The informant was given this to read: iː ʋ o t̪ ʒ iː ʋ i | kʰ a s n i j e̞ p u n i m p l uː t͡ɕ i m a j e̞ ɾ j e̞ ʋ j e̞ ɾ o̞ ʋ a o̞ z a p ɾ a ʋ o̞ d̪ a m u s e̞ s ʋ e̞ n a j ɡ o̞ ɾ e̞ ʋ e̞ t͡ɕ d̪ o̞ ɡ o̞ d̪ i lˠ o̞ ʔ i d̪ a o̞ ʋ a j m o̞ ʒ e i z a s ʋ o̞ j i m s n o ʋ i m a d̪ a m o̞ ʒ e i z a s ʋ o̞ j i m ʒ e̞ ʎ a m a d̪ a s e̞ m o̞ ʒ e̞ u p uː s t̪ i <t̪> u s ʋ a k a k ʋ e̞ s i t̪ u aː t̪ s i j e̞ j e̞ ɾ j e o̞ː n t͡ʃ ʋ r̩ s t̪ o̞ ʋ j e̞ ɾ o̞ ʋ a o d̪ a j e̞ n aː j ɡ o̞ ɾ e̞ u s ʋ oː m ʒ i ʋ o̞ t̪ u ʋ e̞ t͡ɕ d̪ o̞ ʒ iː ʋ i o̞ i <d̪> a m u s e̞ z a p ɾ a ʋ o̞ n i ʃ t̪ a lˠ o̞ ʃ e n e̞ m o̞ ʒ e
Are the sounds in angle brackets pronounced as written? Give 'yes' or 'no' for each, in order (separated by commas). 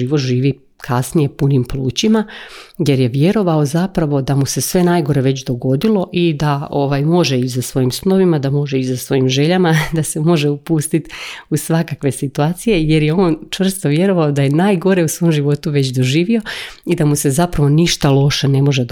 yes, yes